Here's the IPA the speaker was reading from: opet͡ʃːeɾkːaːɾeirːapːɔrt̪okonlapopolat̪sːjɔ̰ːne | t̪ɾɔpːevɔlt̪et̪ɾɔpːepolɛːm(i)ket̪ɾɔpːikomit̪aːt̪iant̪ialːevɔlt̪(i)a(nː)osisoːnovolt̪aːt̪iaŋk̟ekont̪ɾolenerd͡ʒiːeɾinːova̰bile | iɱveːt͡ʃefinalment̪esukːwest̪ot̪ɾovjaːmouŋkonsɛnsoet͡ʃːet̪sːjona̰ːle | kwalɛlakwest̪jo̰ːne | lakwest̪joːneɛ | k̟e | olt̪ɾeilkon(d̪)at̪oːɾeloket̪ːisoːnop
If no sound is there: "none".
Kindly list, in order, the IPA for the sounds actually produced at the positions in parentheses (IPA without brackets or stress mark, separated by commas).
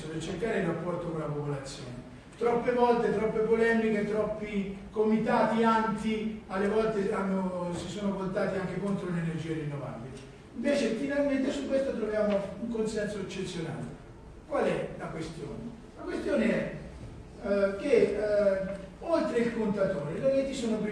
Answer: i, e, nː, t̪